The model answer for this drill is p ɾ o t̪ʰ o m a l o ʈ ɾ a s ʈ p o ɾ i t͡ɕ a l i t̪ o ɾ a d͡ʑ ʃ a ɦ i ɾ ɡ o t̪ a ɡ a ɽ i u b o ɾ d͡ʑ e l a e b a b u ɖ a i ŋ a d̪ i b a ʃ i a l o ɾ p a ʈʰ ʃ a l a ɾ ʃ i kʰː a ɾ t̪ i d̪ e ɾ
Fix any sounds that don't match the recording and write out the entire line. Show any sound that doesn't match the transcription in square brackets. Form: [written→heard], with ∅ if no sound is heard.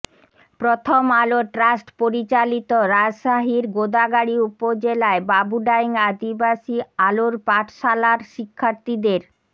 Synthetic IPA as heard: p ɾ o t̪ʰ o m a l o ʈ ɾ a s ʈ p o ɾ i t͡ɕ a l i t̪ o ɾ a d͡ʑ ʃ a ɦ i ɾ ɡ o [t̪→d̪] a ɡ a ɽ i u [b→p] o [ɾ→∅] d͡ʑ e l a e b a b u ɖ a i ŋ a d̪ i b a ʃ i a l o ɾ p a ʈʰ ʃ a l a ɾ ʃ i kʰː a ɾ t̪ i d̪ e ɾ

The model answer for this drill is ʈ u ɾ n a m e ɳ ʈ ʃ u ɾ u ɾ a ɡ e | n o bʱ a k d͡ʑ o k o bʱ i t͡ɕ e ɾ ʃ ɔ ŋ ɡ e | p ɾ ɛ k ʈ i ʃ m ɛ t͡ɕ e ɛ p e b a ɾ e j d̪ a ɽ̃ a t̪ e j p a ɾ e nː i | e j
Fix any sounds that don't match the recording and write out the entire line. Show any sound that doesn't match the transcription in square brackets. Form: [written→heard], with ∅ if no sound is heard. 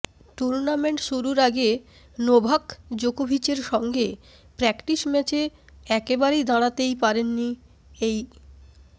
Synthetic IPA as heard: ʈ u ɾ n a m e ɳ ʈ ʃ u ɾ u ɾ a ɡ e | n o bʱ a k d͡ʑ o k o bʱ i t͡ɕ e ɾ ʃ ɔ ŋ ɡ e | p ɾ ɛ k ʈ i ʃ m ɛ t͡ɕ e ɛ [p→k] e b a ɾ e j d̪ a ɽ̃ a t̪ e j p a ɾ e nː i | e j

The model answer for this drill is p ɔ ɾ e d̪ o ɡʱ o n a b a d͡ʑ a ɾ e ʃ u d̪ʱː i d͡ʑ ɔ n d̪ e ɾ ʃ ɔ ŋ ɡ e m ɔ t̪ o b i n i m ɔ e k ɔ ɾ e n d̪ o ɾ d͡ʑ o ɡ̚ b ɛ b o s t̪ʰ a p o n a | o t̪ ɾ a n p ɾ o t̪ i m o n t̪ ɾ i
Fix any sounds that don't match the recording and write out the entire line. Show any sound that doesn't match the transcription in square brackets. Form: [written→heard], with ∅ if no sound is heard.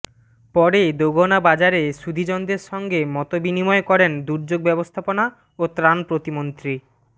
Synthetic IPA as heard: p ɔ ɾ e d̪ o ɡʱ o n a b a d͡ʑ a ɾ e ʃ u [d̪ʱː→d̪ʱ] i d͡ʑ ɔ n d̪ e ɾ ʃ ɔ ŋ ɡ e m ɔ t̪ o b i n i m ɔ e k ɔ ɾ e n d̪ [o→u] ɾ d͡ʑ o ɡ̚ b ɛ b o s t̪ʰ a p o n a | o t̪ ɾ a n p ɾ o t̪ i m o n t̪ ɾ i

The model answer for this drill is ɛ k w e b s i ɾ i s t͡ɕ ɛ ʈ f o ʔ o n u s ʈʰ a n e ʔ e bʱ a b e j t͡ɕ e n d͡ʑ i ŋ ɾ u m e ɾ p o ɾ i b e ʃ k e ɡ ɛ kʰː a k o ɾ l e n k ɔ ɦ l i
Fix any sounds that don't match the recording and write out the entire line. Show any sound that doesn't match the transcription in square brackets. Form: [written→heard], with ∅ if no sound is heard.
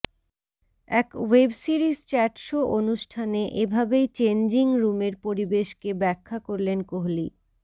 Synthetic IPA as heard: ɛ k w e b s i ɾ i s t͡ɕ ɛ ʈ [f→ʃ] o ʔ o n u [s→ʃ] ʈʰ a n e ʔ e bʱ a b e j t͡ɕ e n d͡ʑ i ŋ ɾ u m e ɾ p o ɾ i b e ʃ k e [ɡ→b] ɛ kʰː a k o ɾ l e n k [ɔ→o] ɦ l i

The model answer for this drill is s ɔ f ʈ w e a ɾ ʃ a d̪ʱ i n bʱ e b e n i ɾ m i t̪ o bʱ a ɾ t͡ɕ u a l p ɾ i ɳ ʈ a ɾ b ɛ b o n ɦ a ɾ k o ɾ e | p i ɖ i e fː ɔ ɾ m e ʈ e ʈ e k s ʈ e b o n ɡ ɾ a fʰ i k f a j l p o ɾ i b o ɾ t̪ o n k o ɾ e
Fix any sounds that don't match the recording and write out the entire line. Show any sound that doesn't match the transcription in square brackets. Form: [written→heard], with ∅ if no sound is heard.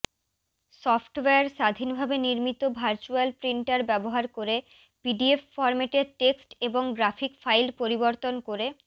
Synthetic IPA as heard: s ɔ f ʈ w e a ɾ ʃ a d̪ʱ i n bʱ [e→a] b e n i ɾ m i t̪ o bʱ a ɾ t͡ɕ u a l p ɾ i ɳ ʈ a ɾ b ɛ b o [n→∅] ɦ a ɾ k o ɾ e | p i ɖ i e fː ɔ ɾ m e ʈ e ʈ e k s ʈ e b o [n→ŋ] ɡ ɾ a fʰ i k f a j l p o ɾ i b o ɾ t̪ o n k o ɾ e

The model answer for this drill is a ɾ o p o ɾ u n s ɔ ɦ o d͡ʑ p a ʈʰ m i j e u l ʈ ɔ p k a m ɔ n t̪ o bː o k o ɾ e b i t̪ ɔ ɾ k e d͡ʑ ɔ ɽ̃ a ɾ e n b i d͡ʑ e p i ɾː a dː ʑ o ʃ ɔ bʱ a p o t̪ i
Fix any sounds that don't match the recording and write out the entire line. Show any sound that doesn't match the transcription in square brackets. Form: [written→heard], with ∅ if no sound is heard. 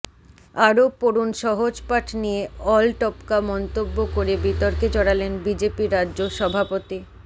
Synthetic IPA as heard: a ɾ o p o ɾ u n [s→ʃ] ɔ ɦ o d͡ʑ p a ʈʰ [m→n] i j e [u→ɔ] l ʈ ɔ p k a m ɔ n t̪ o bː o k o ɾ e b i t̪ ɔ ɾ k e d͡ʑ ɔ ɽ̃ a [ɾ→l] e n b i d͡ʑ e p i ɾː a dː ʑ o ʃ ɔ bʱ a p o t̪ i

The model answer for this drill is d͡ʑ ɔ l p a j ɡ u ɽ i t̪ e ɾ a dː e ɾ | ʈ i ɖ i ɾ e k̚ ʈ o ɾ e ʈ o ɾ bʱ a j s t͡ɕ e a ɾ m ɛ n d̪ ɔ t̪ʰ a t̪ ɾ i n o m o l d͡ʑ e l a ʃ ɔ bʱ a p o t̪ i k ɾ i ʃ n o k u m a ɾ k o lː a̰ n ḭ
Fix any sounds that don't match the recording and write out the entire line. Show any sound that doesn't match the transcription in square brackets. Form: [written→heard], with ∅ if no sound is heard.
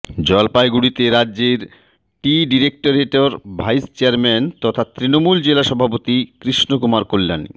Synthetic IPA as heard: d͡ʑ ɔ l p a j ɡ u ɽ i t̪ e ɾ a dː e ɾ | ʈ i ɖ i ɾ e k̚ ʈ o ɾ e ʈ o ɾ bʱ a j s t͡ɕ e a ɾ m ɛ n [d̪→t̪] ɔ t̪ʰ a t̪ ɾ i n o m [o→u] l d͡ʑ e l a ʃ ɔ bʱ a p o t̪ i k ɾ i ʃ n o k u m a ɾ k o lː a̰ n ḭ

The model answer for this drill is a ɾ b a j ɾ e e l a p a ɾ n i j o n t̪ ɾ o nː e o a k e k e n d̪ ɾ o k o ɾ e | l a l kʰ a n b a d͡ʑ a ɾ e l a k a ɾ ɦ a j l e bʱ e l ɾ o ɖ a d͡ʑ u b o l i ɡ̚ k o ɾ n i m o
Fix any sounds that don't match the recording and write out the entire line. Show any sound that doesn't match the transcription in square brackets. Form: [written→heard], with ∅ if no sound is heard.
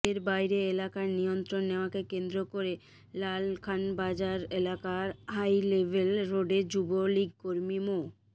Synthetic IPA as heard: [a→e] ɾ b a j ɾ e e l a [p→k] a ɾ n i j o n t̪ ɾ o nː e o a k e k e n d̪ ɾ o k o ɾ e | l a l kʰ a n b a d͡ʑ a ɾ e l a k a ɾ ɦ a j l e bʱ e l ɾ o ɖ [a→e] d͡ʑ u b o l i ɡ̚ k o ɾ [n→m] i m o

